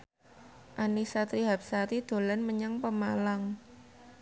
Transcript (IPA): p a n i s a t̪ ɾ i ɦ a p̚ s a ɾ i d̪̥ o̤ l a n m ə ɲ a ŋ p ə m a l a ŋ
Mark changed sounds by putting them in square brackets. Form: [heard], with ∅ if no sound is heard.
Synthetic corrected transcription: [ʔ] a n i s a t̪ ɾ i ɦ a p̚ s a ɾ i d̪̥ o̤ l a n m ə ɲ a ŋ p ə m a l a ŋ